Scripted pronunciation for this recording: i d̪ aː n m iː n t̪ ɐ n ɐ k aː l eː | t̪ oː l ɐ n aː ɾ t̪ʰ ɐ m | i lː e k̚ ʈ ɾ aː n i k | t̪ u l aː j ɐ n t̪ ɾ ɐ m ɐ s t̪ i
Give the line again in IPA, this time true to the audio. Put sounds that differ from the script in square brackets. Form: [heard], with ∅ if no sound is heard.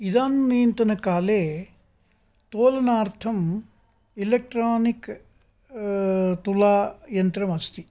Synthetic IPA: i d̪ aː n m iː n t̪ ɐ n ɐ k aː l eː | t̪ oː l ɐ n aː ɾ t̪ʰ ɐ m | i [l] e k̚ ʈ ɾ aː n i k | t̪ u l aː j ɐ n t̪ ɾ ɐ m ɐ s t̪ i

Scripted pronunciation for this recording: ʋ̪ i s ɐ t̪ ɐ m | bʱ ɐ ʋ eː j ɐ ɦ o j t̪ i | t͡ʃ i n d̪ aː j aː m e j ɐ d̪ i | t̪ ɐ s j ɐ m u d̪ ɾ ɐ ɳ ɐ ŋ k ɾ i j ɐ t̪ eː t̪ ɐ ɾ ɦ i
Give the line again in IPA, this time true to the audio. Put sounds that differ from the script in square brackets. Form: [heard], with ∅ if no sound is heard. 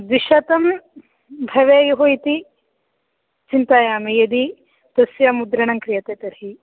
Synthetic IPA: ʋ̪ i [ʃ] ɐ t̪ ɐ m | bʱ ɐ ʋ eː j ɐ ɦ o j t̪ i | t͡ʃ i n [t̪] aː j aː m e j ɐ d̪ i | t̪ ɐ s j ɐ m u d̪ ɾ ɐ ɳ ɐ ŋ k ɾ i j ɐ t̪ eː t̪ ɐ ɾ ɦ i

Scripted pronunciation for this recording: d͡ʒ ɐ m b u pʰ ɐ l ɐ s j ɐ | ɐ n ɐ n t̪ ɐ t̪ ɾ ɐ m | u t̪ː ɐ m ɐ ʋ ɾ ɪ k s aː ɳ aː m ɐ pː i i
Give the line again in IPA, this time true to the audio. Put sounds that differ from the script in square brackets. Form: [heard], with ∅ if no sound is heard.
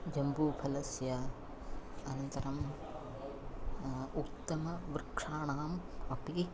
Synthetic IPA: d͡ʒ ɐ m b u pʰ ɐ l ɐ s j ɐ | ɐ n ɐ n t̪ ɐ [∅] ɾ ɐ m | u t̪ː ɐ m ɐ ʋ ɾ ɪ k [ʂ] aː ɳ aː m ɐ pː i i

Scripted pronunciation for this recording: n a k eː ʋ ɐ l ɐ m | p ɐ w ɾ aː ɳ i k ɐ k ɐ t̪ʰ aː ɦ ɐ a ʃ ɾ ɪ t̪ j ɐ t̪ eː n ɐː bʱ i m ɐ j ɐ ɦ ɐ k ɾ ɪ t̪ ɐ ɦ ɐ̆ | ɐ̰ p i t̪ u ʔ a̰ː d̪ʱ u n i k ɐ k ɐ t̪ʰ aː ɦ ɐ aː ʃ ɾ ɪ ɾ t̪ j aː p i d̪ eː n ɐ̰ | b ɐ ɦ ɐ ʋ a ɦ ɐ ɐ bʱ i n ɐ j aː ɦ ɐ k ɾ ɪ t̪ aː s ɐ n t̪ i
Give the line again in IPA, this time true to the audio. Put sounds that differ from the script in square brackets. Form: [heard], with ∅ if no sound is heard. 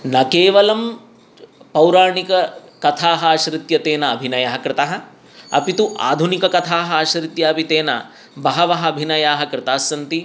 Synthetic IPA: n [ɐ] k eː ʋ ɐ l ɐ m | p ɐ w ɾ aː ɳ i k ɐ k ɐ t̪ʰ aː ɦ ɐ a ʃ ɾ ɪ t̪ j ɐ t̪ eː n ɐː bʱ i [n] ɐ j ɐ ɦ ɐ k ɾ ɪ t̪ ɐ ɦ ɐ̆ | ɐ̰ p i t̪ u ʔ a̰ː d̪ʱ u n i k ɐ k ɐ t̪ʰ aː ɦ ɐ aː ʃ ɾ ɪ [∅] t̪ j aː p i [t̪] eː n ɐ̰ | b ɐ ɦ ɐ ʋ [ɐ] ɦ ɐ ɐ bʱ i n ɐ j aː ɦ ɐ k ɾ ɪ t̪ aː s ɐ n t̪ i

